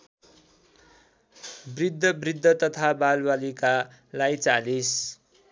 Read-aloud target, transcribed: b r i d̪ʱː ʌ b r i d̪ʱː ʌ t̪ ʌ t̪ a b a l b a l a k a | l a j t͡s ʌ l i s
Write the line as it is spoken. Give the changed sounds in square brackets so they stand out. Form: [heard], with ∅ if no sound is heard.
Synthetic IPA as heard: b r i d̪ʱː ʌ b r i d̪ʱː ʌ t̪ ʌ [t̪ʰ] a b a l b a l [i] k a | l a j t͡s [a] l i s

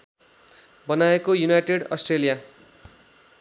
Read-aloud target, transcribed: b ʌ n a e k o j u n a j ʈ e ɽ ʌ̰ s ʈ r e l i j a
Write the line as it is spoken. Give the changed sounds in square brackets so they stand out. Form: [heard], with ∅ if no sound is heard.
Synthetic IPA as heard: b ʌ n a e k o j u n a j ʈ e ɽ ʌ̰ s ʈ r e l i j a

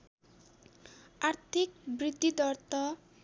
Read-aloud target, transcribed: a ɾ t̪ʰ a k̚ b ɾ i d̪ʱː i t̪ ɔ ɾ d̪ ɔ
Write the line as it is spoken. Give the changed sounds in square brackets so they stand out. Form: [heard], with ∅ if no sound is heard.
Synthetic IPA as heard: a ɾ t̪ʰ [i] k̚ b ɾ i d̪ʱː i [d̪] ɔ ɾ [t̪] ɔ

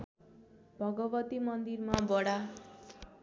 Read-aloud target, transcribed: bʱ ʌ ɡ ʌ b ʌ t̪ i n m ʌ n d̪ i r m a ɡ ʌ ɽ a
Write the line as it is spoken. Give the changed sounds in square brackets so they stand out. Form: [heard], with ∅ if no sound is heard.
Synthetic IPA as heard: bʱ ʌ ɡ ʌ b ʌ t̪ i [∅] m ʌ n d̪ i r m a [b] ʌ ɽ a

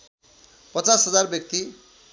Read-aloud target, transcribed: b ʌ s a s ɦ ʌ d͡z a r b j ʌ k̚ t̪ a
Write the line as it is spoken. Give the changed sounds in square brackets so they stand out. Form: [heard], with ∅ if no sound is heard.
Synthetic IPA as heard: [p] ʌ [t͡s] a s ɦ ʌ d͡z a r b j ʌ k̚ t̪ [i]

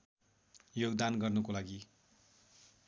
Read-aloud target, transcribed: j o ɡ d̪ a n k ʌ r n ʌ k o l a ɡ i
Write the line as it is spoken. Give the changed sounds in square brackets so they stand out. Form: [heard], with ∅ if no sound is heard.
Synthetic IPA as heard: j o ɡ d̪ a n [ɡ] ʌ r n ʌ k o l a ɡ i

